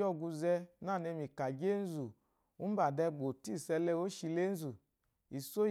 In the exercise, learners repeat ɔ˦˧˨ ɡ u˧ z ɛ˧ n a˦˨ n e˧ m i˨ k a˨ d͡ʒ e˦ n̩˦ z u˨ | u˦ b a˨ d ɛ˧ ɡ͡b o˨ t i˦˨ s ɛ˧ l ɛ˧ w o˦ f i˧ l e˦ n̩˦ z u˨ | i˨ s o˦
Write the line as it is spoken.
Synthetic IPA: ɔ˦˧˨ ɡ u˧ z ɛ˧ n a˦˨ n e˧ m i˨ k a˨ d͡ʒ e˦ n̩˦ z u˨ | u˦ b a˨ d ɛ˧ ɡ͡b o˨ t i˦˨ s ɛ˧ l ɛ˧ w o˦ ʃ i˧ l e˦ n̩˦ z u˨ | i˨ s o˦